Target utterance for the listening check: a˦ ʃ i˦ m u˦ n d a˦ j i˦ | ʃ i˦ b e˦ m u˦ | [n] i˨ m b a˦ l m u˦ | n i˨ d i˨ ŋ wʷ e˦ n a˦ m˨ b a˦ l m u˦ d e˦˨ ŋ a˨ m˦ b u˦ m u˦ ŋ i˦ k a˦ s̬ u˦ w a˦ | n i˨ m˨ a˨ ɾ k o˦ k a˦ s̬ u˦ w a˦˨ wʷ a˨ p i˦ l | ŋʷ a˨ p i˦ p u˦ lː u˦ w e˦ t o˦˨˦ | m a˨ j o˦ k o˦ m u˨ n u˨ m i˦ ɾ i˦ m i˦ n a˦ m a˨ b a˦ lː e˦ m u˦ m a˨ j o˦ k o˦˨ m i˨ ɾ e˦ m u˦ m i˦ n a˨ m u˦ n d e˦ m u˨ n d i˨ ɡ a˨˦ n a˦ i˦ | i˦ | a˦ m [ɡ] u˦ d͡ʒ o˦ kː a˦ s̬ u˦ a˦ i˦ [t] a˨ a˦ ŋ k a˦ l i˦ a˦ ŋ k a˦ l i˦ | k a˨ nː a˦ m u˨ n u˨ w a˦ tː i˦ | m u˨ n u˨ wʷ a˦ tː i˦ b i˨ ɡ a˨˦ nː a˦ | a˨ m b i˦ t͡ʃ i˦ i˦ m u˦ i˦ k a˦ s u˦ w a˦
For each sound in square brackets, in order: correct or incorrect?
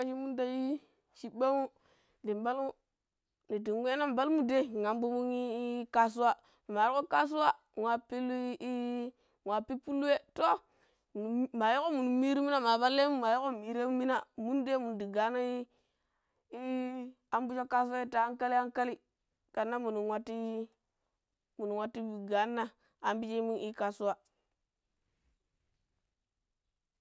incorrect, incorrect, correct

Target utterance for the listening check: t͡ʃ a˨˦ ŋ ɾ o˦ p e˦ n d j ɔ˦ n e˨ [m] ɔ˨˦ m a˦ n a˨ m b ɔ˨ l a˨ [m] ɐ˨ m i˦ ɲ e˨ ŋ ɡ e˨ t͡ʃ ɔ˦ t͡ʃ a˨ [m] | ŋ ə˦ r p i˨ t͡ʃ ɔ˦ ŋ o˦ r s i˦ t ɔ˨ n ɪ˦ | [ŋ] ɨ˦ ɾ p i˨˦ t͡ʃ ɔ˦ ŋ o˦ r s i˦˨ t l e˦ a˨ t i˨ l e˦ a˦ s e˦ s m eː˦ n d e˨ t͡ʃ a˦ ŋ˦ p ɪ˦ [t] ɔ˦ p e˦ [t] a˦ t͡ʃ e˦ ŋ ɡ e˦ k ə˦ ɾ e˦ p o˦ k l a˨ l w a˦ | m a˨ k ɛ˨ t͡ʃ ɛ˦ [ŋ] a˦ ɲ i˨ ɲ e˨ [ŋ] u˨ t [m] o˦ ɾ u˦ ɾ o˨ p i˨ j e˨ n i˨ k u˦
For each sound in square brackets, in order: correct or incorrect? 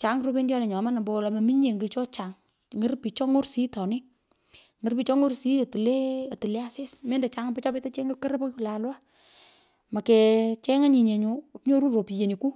incorrect, correct, incorrect, correct, incorrect, correct, correct, incorrect, incorrect

